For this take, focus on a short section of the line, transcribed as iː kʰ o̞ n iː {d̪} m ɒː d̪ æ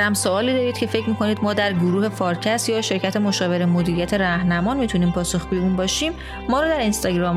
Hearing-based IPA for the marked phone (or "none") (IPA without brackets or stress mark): d̪